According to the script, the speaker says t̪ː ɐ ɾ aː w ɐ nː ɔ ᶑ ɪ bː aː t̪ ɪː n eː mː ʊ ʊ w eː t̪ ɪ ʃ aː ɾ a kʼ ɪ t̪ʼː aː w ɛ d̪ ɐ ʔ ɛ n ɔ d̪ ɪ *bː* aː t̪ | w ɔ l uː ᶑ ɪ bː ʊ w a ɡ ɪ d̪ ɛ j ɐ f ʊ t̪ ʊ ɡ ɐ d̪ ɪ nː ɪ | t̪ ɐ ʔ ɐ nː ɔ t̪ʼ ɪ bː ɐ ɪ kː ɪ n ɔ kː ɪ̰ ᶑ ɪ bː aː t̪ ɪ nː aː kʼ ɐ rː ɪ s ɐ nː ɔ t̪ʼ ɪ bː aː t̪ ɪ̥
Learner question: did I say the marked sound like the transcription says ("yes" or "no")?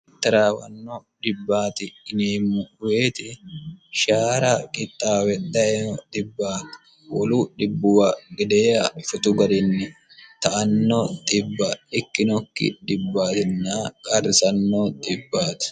yes